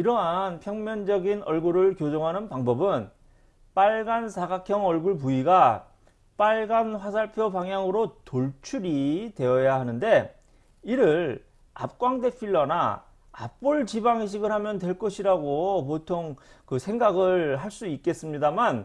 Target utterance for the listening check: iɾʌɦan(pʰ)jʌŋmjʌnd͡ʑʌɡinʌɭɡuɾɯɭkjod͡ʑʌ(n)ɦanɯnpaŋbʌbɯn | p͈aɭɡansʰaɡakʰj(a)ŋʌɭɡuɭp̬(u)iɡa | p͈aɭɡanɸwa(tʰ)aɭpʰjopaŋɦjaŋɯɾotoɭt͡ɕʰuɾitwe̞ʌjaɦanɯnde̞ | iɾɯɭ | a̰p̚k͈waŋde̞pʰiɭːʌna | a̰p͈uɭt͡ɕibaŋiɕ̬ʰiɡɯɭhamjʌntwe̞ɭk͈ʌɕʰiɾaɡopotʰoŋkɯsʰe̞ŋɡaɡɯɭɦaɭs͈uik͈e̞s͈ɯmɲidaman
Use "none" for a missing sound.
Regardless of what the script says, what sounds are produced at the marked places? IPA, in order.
pʰ, ŋ, ʌ, u, sʰ

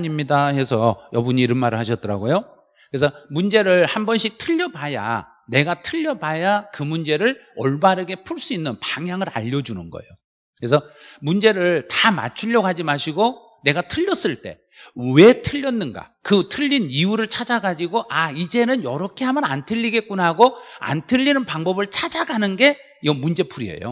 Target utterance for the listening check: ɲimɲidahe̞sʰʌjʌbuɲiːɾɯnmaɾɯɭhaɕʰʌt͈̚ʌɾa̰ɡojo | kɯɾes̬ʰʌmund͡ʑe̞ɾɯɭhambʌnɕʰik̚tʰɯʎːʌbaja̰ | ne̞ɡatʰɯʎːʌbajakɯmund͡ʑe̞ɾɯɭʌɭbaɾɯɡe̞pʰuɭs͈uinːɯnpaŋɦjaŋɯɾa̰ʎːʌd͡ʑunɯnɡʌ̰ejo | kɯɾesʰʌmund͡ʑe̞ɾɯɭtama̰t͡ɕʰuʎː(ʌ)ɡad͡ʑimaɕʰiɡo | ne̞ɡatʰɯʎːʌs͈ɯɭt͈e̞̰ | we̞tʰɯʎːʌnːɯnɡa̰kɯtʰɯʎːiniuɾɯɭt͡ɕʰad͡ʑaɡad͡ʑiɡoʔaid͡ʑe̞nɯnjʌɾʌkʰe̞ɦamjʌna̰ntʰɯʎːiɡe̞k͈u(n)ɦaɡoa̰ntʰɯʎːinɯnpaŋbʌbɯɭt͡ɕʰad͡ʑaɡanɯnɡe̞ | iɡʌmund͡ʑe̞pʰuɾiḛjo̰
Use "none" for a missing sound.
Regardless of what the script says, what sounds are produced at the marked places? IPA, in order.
ʌ, n

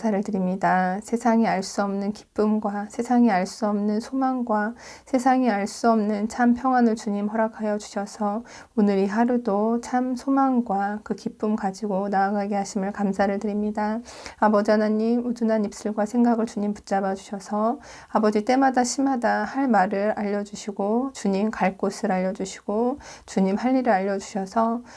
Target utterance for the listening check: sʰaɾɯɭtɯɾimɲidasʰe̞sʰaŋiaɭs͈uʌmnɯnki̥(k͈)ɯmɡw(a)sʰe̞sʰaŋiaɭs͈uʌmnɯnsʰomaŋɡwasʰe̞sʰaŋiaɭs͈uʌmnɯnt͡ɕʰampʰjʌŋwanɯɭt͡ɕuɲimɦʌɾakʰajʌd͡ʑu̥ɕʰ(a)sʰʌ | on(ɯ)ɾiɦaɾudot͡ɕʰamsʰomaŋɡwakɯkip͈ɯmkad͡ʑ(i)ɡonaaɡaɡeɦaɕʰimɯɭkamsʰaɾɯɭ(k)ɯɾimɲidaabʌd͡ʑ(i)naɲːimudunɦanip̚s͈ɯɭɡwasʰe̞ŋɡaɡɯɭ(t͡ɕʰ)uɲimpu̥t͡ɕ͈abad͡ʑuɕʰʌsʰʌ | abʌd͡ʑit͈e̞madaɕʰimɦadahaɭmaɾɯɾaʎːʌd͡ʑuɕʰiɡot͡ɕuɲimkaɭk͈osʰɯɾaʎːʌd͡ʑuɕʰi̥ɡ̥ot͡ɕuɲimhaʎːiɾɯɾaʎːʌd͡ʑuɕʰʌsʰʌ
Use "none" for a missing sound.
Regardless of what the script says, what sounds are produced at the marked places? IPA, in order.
p͈, a, ʌ, ɯ, i, t, a, t͡ɕ

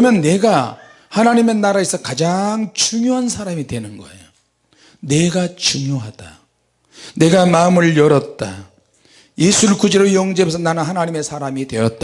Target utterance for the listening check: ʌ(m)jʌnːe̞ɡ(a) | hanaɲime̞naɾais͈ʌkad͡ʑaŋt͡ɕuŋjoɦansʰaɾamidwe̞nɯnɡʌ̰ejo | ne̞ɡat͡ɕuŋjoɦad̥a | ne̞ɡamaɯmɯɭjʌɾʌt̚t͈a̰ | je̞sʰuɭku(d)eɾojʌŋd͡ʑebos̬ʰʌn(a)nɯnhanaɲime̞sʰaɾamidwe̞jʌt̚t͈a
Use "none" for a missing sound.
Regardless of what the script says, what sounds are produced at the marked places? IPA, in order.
m, a, d͡ʑ, a

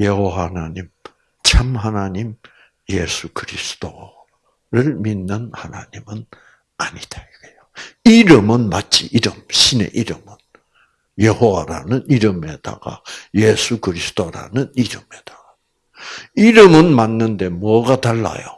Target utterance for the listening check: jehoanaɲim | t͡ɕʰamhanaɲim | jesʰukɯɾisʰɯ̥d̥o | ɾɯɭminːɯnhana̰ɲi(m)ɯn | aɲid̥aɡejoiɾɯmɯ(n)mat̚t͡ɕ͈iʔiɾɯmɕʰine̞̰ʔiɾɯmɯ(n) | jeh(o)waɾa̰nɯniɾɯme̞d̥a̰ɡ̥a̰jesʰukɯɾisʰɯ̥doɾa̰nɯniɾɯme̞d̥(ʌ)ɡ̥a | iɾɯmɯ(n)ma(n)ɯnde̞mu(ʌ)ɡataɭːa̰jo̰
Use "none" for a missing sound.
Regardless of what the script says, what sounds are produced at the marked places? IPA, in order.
m, n, n, o, a, n, nː, ʌ

